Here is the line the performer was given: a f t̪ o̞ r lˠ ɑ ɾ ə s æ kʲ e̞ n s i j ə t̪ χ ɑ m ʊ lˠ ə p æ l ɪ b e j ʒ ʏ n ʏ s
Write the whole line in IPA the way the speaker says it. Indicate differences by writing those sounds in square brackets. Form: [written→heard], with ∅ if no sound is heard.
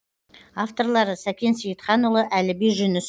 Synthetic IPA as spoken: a f t̪ o̞ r lˠ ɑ ɾ ə s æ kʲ e̞ n s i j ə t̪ χ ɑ [m→n] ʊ lˠ ə [p→ʔ] æ l ɪ b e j ʒ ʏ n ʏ s